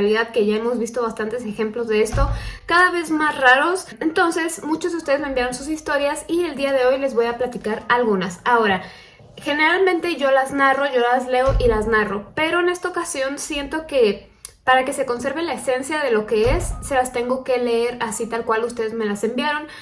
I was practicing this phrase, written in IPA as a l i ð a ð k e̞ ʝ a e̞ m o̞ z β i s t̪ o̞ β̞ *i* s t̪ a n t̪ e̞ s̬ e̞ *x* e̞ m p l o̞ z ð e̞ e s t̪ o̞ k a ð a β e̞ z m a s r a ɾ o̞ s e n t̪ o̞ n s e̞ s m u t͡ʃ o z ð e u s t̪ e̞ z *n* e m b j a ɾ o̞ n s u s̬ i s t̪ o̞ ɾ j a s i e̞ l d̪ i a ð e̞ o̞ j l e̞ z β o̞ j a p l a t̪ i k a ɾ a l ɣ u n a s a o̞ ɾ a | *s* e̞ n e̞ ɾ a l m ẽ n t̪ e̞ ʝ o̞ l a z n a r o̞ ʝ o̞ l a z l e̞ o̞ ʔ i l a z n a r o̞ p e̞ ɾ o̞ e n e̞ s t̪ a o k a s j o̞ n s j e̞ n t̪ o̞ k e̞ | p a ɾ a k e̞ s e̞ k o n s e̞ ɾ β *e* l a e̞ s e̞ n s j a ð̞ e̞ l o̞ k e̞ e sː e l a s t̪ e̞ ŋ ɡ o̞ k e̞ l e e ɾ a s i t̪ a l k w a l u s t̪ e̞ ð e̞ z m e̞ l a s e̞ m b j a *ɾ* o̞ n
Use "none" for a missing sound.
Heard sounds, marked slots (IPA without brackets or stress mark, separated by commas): a, x, m, x, e, ɾ